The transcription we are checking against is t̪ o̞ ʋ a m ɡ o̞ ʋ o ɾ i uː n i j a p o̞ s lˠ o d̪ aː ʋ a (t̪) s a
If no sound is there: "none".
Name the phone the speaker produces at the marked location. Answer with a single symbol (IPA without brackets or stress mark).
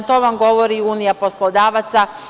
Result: t̪